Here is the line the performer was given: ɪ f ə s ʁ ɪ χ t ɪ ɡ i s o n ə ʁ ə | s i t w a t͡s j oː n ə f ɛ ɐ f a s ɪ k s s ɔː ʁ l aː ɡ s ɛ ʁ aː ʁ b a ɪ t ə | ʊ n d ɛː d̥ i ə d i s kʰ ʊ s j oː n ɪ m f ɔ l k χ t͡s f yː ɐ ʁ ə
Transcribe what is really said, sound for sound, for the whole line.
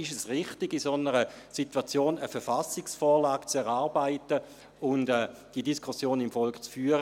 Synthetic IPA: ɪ ʃ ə s ʁ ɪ χ t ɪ ɡ i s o n ə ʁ ə | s i t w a t͡s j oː n ə f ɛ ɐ f a s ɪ k s f ɔː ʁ l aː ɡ t͡s ɛ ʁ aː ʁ b a ɪ t ə | ʊ n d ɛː d̥ i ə d i s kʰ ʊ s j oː n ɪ m f ɔ l k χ t͡s f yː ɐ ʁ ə